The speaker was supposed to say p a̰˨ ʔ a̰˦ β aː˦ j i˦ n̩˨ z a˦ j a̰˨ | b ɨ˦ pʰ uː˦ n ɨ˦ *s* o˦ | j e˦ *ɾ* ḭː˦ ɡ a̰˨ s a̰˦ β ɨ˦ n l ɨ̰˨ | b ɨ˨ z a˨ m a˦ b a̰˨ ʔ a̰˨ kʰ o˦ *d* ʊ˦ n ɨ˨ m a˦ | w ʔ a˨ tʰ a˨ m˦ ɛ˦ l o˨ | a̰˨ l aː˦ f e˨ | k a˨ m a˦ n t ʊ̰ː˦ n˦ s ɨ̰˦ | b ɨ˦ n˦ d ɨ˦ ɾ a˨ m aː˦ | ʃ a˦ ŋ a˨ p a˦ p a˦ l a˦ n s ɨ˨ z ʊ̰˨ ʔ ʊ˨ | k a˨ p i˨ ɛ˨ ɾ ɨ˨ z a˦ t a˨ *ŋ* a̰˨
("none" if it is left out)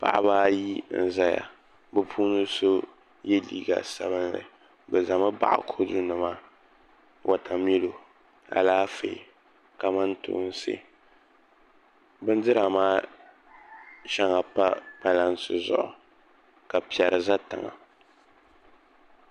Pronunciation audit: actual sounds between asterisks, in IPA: s, l, d, ŋ

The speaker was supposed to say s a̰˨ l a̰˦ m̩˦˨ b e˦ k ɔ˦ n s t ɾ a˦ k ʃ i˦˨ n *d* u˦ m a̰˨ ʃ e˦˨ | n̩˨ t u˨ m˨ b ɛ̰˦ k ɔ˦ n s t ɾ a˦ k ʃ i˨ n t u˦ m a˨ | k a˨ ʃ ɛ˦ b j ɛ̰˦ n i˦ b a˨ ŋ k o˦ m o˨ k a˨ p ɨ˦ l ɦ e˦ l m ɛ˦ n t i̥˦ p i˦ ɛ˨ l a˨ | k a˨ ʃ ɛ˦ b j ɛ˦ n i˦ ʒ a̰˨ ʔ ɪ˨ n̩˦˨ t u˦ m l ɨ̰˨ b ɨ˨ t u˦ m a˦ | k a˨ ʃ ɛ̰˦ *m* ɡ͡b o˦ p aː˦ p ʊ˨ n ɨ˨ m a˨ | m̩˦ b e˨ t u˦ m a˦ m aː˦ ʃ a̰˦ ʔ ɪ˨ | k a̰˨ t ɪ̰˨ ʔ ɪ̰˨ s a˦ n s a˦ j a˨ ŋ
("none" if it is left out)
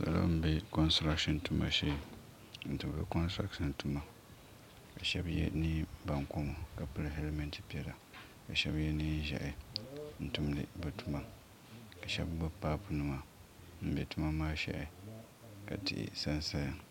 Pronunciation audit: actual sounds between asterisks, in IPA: t, b

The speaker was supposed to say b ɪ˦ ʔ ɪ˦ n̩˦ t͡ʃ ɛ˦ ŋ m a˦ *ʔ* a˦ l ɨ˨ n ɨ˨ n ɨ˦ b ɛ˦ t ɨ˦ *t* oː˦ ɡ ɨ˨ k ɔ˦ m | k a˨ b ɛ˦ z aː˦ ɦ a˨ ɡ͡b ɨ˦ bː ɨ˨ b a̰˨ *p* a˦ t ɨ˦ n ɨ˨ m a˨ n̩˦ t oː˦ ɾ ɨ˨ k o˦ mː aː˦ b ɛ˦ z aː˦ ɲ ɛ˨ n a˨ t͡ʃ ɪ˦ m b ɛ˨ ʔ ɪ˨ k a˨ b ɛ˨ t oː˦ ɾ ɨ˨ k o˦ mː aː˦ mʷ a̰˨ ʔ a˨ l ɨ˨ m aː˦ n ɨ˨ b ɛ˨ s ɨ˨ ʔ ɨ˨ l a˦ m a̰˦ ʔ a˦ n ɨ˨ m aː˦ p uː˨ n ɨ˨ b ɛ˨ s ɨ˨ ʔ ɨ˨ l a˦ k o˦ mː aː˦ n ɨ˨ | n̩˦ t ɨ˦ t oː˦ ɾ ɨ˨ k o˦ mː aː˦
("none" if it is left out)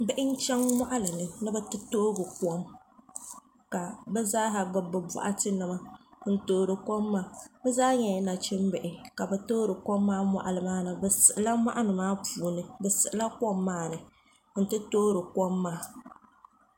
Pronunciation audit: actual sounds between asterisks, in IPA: ʔ, t, ʔ

